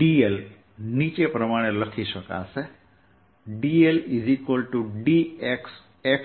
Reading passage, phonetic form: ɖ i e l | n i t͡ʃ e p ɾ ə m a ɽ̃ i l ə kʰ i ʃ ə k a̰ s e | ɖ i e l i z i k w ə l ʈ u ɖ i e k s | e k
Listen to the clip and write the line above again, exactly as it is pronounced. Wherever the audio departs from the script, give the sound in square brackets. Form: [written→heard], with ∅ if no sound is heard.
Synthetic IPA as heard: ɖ i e l | n i t͡ʃ e p ɾ ə m a ɽ̃ [i→e] l ə kʰ i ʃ ə k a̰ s e | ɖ i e l i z i k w ə l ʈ u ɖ i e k s | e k

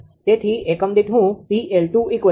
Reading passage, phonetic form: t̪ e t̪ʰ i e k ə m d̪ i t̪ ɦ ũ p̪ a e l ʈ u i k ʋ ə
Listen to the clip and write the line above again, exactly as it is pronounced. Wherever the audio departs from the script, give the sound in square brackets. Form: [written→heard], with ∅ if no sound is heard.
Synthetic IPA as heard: t̪ e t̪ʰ i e k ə m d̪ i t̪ ɦ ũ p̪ [a→i] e l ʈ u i k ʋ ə

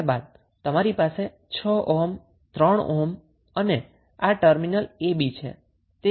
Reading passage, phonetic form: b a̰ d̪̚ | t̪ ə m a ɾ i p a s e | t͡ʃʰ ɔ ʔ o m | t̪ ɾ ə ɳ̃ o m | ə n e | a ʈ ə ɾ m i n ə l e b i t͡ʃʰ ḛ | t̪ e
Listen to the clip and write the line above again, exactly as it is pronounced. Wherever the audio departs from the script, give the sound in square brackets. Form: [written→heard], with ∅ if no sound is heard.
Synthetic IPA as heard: b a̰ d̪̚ | t̪ ə m a ɾ i p a s e | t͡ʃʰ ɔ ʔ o m | t̪ ɾ ə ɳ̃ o m | ə n e | a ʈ ə ɾ m i n ə l e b i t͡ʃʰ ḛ | t̪ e

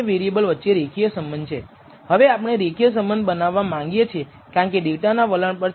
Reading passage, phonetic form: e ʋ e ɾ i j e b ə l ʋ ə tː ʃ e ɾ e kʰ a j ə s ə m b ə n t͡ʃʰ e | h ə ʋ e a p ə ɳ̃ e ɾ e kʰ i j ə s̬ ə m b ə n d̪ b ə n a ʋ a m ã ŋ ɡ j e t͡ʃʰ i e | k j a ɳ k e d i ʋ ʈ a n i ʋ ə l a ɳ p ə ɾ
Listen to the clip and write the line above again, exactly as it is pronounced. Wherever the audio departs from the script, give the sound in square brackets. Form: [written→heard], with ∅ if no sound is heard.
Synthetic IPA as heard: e ʋ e ɾ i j e b ə l ʋ ə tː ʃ e ɾ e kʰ [a→i] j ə s ə m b ə n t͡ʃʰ e | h ə ʋ e a p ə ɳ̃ e ɾ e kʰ i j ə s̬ ə m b ə n d̪ b ə n a [ʋ→ʋː] a m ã ŋ ɡ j e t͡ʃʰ i e | k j a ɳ k e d i ʋ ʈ a n [i→a] ʋ ə l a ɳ p ə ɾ

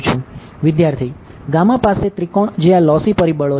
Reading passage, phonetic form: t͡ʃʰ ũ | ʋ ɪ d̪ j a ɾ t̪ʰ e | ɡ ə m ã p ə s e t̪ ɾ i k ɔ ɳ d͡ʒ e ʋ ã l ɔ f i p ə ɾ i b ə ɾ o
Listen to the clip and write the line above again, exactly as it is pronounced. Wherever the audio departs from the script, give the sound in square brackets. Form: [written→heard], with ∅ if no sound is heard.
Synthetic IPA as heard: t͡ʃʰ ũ | ʋ ɪ d̪ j a ɾ t̪ʰ [e→i] | ɡ [ə→a] m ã p [ə→a] s e t̪ ɾ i k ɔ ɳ d͡ʒ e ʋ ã l ɔ [f→s] i p ə ɾ i b ə [ɾ→ɭ] o

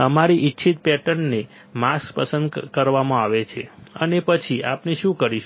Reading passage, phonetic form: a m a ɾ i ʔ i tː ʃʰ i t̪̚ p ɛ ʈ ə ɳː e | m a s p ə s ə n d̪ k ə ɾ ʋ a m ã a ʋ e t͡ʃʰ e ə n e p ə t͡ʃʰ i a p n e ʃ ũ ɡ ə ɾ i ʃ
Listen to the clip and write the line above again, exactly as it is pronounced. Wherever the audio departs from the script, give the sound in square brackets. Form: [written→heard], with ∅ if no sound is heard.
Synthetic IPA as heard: [a→ə] m a ɾ i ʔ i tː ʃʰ i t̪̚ p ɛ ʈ ə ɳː e | m a s p ə s ə n d̪ k ə ɾ ʋ a m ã a ʋ e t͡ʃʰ e ə n e p ə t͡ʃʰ i a p n e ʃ ũ [ɡ→k] ə ɾ i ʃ

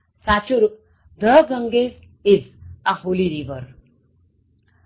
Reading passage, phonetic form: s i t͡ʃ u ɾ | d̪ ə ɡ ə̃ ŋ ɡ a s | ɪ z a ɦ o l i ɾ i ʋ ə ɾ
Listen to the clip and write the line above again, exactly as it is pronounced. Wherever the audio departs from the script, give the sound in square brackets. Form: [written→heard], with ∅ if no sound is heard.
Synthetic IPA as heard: s [i→a] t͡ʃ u ɾ | d̪ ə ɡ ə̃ ŋ ɡ [a→e] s | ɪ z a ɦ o l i ɾ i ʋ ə ɾ

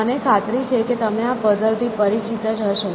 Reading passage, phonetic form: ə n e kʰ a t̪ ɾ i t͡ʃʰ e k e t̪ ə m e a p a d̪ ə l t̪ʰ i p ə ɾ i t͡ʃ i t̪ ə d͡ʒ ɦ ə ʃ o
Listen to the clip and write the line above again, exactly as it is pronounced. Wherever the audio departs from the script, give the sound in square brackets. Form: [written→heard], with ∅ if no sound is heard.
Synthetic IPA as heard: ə n e kʰ a t̪ ɾ i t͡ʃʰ e k e t̪ ə m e a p [a→ə] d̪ ə l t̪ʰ i p ə ɾ i t͡ʃ i t̪ ə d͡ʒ ɦ ə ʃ o

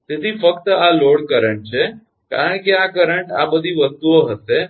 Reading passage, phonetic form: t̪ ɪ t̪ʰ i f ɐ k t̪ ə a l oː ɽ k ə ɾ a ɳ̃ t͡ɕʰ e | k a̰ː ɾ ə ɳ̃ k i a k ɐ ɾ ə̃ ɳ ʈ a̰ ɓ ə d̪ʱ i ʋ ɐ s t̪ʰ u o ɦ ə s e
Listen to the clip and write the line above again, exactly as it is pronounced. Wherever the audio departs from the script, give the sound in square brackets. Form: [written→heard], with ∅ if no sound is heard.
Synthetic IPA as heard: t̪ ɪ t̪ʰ i f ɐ k t̪ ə a l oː ɽ k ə ɾ [a→ə] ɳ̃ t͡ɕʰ e | k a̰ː ɾ ə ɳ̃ k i a k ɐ ɾ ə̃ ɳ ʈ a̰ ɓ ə d̪ʱ i ʋ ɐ s [t̪ʰ→t̪] u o ɦ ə s e

